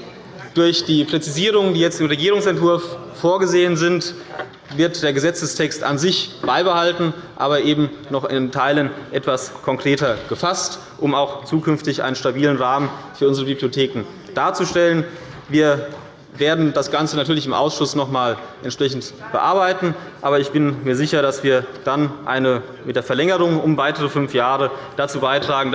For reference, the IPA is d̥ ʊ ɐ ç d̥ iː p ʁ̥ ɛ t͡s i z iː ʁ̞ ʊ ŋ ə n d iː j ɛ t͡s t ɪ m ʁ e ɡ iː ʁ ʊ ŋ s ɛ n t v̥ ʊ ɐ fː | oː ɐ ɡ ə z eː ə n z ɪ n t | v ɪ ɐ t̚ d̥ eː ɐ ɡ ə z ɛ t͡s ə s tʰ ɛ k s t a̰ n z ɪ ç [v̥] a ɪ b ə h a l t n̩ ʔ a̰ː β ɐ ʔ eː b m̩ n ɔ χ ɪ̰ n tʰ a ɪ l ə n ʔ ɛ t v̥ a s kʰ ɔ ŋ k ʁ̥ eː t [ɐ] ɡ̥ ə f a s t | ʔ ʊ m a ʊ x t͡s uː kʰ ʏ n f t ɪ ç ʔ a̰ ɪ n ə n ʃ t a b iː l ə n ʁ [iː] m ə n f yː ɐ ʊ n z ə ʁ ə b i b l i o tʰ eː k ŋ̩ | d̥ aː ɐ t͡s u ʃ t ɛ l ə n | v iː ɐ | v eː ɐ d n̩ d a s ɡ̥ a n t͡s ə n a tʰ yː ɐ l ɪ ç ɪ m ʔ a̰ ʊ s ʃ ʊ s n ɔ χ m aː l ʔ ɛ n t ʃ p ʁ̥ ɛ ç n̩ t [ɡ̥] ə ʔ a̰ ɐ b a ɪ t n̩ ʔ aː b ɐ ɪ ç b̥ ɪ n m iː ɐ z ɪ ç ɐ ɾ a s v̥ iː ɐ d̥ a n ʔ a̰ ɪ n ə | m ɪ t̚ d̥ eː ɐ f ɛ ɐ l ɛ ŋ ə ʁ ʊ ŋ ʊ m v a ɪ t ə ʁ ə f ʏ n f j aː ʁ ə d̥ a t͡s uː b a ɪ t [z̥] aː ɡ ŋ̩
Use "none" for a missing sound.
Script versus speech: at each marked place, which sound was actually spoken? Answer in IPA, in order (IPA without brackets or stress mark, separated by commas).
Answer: b̥, ɐ, aː, b̥, ʁ̥